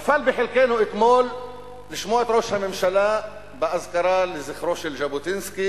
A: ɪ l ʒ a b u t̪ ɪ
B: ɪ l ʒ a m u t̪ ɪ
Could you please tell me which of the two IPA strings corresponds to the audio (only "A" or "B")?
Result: A